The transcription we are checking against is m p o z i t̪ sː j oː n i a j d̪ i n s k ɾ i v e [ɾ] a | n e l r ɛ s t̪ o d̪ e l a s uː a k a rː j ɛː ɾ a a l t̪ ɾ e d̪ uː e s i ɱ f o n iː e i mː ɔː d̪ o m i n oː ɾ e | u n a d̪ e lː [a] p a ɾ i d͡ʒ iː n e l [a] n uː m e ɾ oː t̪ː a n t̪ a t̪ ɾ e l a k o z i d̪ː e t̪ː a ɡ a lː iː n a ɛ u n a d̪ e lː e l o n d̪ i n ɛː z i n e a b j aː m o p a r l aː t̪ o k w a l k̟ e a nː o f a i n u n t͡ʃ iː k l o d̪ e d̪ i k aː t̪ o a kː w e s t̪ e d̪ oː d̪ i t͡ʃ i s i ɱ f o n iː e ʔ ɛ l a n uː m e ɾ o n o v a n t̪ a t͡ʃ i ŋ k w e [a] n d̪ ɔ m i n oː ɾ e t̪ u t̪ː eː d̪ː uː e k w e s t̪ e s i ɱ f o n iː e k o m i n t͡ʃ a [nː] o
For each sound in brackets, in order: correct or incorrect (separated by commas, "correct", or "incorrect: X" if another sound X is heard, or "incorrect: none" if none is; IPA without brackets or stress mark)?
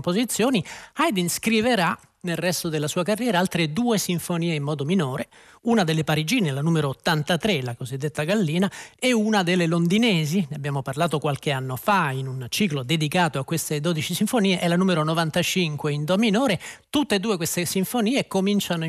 correct, incorrect: e, correct, incorrect: i, incorrect: n